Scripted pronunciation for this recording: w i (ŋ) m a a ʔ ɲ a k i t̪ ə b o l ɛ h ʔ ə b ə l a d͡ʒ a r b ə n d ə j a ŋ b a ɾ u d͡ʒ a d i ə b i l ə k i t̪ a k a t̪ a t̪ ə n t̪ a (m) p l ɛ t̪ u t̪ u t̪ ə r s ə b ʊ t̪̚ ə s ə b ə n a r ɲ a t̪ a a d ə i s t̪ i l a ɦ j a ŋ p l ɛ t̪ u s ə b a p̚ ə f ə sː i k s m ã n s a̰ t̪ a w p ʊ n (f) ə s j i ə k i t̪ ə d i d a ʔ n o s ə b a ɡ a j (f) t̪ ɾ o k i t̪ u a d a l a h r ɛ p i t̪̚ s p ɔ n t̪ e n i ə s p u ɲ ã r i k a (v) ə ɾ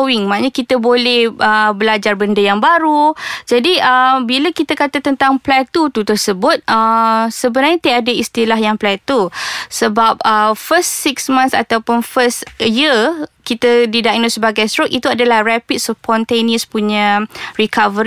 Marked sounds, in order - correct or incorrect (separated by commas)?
correct, incorrect, correct, incorrect, correct